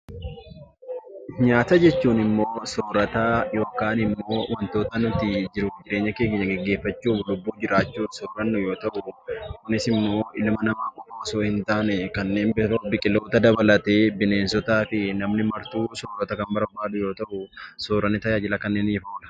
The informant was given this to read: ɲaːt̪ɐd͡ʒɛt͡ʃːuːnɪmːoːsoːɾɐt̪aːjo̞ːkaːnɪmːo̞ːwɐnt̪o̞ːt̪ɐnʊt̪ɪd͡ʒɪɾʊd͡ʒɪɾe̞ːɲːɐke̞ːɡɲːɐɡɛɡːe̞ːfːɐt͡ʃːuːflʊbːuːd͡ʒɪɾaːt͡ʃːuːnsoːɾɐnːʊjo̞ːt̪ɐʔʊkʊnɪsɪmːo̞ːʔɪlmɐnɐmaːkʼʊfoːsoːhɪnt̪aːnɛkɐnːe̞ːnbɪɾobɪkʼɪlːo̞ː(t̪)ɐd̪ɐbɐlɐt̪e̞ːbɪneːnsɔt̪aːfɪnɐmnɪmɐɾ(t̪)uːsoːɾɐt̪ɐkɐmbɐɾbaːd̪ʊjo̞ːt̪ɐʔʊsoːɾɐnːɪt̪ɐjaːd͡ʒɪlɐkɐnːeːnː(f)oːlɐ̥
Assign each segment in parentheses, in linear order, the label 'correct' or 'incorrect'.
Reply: correct, correct, correct

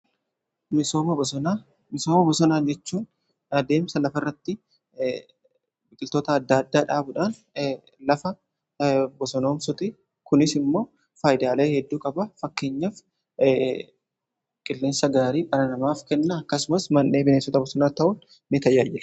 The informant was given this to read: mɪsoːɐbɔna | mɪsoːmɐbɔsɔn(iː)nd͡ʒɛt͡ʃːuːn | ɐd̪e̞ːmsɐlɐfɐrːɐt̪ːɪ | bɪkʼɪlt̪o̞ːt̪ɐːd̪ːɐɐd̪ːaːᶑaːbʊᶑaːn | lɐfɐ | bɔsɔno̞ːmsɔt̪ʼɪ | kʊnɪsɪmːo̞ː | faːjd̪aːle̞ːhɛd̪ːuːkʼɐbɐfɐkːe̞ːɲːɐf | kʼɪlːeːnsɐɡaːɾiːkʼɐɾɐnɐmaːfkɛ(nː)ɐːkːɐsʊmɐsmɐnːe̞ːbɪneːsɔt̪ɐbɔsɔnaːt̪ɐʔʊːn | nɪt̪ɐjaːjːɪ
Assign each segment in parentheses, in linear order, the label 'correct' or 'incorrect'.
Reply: incorrect, correct

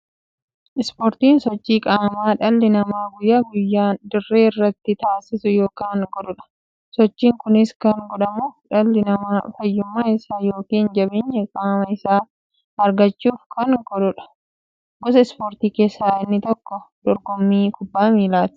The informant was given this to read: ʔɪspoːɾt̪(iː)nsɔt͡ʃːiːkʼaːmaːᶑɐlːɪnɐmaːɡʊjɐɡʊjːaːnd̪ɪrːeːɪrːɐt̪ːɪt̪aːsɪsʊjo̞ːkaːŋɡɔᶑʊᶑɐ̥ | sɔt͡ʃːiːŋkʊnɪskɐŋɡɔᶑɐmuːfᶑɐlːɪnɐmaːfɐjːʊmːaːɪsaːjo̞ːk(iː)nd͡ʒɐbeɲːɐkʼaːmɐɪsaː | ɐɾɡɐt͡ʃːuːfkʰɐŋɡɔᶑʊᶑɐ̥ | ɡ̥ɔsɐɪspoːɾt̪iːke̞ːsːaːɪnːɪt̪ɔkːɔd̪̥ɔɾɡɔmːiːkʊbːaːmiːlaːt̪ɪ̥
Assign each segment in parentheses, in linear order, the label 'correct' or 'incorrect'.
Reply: correct, correct

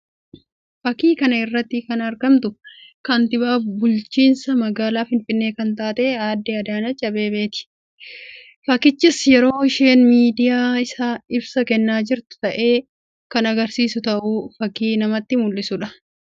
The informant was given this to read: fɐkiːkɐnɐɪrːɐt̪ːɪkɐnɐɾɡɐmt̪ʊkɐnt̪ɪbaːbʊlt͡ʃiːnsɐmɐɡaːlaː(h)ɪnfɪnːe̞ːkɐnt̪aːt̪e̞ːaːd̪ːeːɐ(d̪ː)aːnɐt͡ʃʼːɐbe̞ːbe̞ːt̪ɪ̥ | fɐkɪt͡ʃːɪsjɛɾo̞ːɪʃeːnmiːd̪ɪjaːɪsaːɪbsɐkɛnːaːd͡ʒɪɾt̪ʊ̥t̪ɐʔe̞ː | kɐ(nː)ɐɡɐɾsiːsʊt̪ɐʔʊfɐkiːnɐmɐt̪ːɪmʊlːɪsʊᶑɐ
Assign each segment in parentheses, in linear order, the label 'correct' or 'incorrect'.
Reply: incorrect, incorrect, incorrect

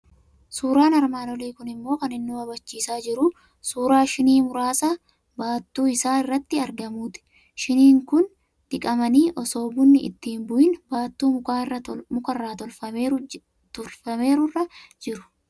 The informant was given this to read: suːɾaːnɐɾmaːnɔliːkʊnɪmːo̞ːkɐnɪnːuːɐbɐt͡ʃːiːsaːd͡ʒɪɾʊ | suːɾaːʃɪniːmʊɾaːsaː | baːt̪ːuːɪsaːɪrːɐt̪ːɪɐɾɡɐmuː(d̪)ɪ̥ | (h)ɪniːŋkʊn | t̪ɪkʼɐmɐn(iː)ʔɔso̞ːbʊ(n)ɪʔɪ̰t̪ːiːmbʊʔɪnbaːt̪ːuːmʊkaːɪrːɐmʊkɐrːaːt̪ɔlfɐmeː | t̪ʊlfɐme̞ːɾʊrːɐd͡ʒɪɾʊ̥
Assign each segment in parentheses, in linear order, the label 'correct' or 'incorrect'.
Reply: incorrect, incorrect, correct, incorrect

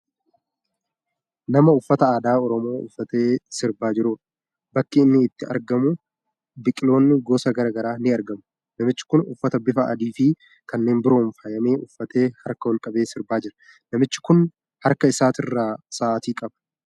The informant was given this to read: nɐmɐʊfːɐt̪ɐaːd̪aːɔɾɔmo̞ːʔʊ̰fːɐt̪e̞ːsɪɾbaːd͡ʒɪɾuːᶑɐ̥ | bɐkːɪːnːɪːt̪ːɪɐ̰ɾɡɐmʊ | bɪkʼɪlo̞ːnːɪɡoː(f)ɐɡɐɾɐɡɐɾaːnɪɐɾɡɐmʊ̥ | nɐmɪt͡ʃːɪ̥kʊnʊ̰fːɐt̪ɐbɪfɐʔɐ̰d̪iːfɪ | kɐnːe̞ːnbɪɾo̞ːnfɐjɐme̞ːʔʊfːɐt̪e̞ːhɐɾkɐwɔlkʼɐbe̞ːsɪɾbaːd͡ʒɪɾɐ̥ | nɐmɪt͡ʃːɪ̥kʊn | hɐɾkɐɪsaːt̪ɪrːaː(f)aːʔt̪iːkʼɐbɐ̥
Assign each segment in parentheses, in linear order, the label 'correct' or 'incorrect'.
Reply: incorrect, incorrect

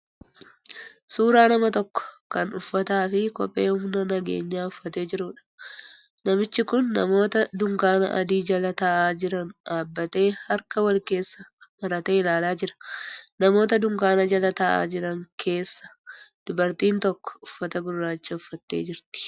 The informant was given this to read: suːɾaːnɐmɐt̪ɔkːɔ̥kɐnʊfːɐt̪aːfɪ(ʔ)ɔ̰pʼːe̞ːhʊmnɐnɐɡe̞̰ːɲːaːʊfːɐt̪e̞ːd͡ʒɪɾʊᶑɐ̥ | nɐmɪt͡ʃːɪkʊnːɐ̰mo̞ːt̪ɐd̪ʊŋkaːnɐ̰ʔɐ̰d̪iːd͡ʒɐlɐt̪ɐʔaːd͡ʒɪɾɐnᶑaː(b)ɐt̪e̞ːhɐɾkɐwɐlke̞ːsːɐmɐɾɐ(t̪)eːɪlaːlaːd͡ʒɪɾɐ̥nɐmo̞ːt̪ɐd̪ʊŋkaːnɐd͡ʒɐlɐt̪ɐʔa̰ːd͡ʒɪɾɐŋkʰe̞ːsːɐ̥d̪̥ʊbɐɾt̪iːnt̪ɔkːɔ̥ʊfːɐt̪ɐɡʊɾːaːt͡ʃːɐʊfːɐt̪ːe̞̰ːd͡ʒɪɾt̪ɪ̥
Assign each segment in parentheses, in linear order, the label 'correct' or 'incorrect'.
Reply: incorrect, incorrect, correct

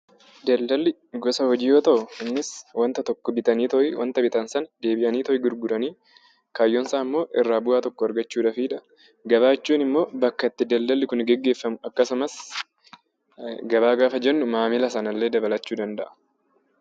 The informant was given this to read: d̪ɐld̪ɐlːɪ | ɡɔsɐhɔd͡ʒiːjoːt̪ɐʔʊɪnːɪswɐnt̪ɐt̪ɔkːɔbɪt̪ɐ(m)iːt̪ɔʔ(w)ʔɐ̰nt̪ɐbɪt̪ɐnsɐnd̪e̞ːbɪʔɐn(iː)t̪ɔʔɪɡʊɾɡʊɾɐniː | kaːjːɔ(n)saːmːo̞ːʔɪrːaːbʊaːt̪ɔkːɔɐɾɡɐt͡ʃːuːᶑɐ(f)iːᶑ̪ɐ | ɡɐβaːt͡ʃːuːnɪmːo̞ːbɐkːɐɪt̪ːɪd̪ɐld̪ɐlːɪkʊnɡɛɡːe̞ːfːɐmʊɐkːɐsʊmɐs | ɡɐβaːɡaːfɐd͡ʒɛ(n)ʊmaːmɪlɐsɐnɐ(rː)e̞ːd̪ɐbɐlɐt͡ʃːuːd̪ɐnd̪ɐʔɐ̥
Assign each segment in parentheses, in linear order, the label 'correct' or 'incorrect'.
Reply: incorrect, correct, correct, correct, correct, incorrect, incorrect

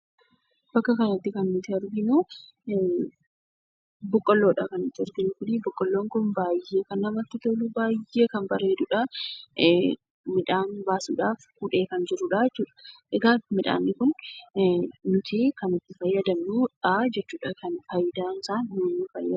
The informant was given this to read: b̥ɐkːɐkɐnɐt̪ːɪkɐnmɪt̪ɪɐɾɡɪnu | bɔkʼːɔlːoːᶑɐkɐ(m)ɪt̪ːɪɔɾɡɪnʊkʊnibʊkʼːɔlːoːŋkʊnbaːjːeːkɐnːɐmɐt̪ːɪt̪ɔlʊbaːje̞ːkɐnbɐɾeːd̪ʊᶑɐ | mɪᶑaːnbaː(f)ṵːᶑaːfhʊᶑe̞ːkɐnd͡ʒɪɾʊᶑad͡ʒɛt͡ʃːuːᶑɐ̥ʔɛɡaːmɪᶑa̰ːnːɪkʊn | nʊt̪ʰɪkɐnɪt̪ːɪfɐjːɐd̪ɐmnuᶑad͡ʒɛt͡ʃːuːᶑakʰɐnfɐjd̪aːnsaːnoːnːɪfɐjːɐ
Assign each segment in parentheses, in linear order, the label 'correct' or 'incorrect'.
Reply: incorrect, incorrect

